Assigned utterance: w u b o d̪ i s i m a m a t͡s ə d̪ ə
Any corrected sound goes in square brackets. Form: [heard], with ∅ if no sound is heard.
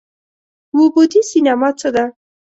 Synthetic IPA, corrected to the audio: w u b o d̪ i s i [n] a m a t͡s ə d̪ [a]